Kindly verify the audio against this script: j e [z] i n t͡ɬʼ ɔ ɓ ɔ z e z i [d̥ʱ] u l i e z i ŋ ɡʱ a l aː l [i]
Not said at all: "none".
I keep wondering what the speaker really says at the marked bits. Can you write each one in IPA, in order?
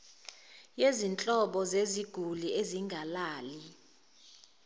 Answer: z, ɡ̥ʱ, i

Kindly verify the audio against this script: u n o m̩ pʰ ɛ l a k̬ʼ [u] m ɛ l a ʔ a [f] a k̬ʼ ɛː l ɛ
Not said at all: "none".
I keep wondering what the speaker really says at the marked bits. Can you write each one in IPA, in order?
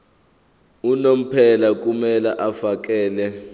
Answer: u, f

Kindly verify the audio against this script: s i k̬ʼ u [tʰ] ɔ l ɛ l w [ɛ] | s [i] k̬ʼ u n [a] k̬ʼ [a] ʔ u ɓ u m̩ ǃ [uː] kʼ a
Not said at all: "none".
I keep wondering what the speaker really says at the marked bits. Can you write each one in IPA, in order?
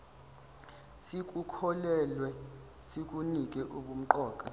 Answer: kʰ, ɛ, i, i, ɛ, ɔː

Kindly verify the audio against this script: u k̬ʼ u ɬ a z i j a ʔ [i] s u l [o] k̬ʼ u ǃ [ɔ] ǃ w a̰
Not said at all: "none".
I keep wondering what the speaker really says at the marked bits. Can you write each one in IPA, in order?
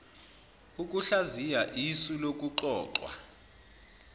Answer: i, o, ɔː

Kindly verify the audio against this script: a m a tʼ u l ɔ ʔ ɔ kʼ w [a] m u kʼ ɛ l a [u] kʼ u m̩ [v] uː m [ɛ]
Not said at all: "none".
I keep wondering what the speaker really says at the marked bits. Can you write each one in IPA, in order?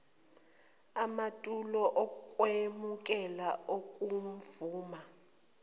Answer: e, o, v, a

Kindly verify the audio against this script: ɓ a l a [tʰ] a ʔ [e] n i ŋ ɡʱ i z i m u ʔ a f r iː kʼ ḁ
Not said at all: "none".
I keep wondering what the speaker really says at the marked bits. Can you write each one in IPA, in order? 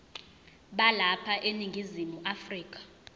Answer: pʰ, e

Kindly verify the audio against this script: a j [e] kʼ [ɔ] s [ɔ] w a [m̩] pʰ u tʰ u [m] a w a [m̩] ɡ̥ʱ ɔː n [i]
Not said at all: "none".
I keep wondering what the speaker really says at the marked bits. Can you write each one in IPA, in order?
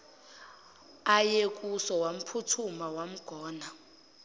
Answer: e, u, ɔ, m̩, m, m̩, a

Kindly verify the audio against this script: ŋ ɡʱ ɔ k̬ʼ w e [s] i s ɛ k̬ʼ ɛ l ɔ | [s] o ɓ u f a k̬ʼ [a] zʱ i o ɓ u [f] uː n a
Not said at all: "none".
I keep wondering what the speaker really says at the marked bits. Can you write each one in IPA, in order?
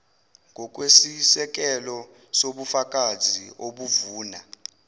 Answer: s, s, a, v

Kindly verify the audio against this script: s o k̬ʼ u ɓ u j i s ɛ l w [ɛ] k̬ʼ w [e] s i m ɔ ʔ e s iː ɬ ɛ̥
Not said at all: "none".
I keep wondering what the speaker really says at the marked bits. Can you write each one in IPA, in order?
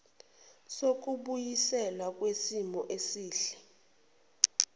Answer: a, e

